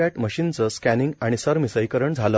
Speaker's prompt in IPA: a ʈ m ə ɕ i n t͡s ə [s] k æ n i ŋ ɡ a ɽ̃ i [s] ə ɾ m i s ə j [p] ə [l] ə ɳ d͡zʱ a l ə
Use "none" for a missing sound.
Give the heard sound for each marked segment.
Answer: s, s, k, ɾ

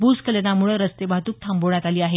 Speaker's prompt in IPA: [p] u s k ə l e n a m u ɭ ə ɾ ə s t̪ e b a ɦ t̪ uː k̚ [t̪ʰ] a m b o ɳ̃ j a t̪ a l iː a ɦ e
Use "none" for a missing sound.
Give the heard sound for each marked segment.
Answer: b, t̪ʰ

